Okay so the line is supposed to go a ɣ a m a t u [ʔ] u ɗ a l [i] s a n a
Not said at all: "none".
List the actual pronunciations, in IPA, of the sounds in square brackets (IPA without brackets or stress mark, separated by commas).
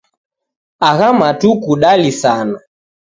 k, i